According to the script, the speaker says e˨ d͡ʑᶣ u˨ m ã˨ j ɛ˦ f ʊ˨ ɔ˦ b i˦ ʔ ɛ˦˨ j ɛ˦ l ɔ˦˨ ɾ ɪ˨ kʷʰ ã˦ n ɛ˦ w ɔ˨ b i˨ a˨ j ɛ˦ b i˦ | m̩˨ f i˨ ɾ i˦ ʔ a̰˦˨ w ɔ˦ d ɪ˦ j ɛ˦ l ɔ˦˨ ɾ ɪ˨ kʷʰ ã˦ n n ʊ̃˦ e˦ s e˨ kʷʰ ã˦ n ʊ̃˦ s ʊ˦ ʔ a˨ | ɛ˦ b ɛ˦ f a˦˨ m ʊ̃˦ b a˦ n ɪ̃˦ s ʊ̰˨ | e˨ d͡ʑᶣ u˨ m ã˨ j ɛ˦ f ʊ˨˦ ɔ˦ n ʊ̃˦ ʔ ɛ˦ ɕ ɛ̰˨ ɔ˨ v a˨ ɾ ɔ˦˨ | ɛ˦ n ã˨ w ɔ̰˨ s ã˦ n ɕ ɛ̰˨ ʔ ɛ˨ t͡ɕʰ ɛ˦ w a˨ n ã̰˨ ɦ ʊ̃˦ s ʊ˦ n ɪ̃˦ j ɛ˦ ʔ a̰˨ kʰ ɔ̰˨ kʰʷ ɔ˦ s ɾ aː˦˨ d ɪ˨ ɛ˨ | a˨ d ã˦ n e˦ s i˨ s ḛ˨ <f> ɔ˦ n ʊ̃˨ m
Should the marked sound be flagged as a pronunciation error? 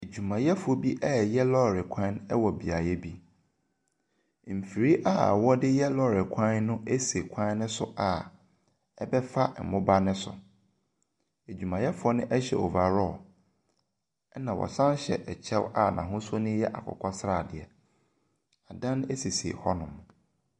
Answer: yes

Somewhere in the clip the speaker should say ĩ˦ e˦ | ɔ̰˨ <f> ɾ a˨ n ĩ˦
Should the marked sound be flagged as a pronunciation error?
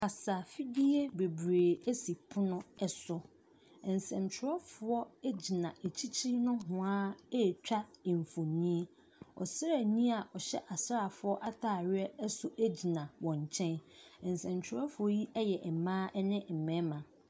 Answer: yes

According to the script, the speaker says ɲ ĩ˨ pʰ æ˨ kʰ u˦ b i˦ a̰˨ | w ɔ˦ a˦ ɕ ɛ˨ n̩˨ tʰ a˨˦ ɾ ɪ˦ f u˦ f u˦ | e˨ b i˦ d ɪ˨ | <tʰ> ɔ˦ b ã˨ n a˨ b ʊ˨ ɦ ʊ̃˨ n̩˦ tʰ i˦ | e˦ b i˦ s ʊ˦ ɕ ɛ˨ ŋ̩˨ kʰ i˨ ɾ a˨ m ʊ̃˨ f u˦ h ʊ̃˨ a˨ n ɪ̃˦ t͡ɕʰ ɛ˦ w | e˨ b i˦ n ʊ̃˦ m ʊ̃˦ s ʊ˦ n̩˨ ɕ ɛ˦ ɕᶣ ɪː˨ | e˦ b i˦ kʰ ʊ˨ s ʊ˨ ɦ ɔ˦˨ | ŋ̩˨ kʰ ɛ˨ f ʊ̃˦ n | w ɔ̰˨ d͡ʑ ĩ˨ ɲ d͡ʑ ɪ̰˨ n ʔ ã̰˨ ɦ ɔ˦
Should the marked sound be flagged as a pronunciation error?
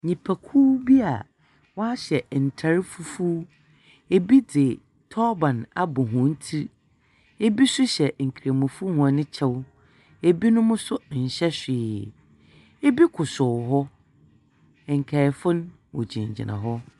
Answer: no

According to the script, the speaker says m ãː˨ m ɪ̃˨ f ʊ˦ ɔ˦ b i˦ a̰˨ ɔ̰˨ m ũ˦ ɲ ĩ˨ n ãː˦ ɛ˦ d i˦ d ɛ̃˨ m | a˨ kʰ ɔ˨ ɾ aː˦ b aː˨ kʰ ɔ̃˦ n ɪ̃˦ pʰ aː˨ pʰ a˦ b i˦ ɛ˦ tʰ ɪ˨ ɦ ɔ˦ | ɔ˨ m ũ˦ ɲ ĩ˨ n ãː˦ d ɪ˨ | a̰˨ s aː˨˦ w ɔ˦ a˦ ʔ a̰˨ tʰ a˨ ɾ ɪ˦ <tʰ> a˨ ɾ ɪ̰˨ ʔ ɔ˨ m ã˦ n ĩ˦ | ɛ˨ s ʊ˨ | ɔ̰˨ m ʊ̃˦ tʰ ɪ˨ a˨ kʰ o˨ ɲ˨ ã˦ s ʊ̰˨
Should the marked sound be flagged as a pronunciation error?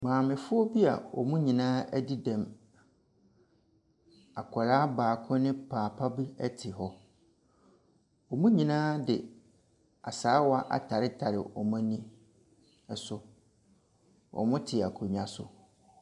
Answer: no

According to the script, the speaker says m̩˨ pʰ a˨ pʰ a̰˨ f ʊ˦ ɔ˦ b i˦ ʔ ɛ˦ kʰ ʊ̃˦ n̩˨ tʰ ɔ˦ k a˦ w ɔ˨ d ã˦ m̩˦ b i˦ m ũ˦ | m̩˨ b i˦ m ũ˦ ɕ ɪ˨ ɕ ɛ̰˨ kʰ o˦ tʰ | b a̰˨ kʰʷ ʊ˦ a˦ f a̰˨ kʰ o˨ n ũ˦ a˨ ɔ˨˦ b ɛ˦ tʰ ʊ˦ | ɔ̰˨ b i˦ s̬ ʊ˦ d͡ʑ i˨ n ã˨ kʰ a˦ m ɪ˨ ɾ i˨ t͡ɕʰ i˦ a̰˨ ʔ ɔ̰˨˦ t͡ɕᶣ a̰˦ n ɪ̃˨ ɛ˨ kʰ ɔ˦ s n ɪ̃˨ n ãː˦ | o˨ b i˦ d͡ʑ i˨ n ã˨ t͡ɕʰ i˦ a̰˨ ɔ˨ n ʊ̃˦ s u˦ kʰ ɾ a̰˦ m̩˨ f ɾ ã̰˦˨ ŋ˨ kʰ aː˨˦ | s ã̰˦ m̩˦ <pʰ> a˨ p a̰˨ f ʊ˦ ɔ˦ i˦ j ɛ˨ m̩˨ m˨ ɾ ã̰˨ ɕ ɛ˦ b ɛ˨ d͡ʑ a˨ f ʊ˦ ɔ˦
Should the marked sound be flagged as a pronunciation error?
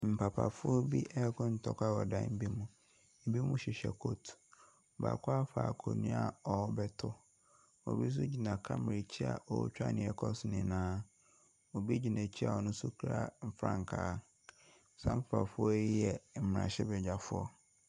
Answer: yes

